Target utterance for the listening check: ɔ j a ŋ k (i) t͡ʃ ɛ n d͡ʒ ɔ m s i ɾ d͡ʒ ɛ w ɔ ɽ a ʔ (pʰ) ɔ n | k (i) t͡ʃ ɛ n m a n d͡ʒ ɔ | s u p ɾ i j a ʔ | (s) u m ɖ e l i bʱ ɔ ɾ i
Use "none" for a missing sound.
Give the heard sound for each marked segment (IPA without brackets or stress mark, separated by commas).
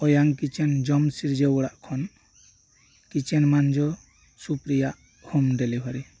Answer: i, kʰ, i, h